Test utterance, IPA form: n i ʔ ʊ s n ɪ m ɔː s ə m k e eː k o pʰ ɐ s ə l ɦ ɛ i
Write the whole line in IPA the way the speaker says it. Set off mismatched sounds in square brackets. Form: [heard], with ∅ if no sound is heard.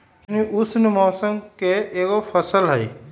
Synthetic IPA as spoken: n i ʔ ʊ s n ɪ m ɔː s ə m k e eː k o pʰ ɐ s ə l ɦ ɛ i